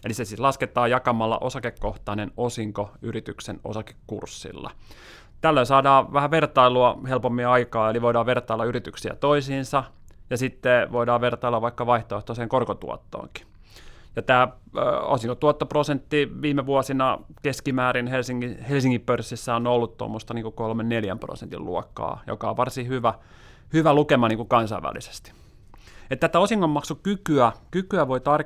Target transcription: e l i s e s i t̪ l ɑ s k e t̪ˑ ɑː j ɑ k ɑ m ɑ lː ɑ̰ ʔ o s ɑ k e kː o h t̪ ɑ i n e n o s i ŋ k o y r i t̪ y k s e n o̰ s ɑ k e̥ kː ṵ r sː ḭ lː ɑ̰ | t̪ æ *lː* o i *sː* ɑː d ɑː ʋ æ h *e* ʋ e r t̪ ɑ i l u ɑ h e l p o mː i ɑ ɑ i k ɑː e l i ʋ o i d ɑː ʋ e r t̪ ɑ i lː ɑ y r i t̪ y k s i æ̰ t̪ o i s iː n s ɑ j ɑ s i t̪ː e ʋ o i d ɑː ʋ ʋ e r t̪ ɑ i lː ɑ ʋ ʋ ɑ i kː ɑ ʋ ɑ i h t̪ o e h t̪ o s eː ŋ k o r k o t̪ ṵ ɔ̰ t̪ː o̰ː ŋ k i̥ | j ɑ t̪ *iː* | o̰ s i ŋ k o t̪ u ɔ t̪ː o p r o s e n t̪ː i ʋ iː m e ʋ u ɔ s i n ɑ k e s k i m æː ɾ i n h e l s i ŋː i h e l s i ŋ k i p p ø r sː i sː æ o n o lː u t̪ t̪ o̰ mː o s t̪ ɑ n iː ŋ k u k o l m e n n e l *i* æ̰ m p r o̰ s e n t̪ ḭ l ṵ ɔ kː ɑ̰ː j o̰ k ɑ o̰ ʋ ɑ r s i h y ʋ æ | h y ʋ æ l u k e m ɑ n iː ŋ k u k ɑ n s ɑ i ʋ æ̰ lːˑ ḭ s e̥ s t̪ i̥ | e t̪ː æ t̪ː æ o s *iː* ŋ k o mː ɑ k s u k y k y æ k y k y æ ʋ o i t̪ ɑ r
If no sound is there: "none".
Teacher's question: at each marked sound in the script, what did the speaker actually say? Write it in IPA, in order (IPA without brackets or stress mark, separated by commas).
lː, s, æ, æː, j, i